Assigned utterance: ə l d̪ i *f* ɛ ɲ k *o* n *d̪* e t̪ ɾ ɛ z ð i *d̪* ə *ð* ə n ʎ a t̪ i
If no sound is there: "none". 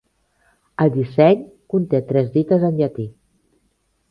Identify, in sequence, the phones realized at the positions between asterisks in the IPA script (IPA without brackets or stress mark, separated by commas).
s, u, t̪, t̪, z